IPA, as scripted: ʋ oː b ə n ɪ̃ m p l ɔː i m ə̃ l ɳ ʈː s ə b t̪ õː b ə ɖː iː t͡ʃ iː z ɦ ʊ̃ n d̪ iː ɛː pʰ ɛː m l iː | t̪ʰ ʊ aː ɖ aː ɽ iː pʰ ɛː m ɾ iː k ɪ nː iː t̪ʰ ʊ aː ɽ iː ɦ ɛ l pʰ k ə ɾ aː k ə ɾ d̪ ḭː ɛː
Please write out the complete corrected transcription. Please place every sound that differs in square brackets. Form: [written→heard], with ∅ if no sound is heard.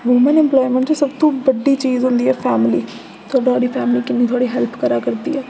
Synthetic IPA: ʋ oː [b→m] ə n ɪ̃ m p l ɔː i m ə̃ [l→∅] ɳ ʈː s ə b t̪ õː b ə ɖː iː t͡ʃ iː z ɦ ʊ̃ n d̪ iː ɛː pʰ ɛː m l iː | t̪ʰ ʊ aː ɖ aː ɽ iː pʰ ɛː m [ɾ→l] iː k ɪ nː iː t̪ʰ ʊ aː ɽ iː ɦ ɛ l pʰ k ə ɾ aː k ə ɾ d̪ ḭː ɛː